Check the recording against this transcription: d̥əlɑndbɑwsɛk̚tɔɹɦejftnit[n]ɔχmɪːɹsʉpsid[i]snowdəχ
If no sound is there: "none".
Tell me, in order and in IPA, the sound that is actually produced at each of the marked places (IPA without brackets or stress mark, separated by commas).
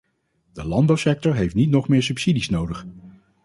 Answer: n, i